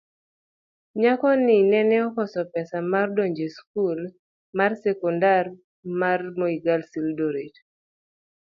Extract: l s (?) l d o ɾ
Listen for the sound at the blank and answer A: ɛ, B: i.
B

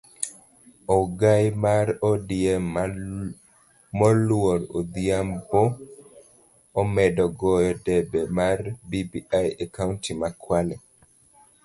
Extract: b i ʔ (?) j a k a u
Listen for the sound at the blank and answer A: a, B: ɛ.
A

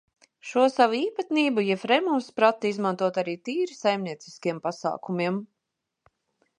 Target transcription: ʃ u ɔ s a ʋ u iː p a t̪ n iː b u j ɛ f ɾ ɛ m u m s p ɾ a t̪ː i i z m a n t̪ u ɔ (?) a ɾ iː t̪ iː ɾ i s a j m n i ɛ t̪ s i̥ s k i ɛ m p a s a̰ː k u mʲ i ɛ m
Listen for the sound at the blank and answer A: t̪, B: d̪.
A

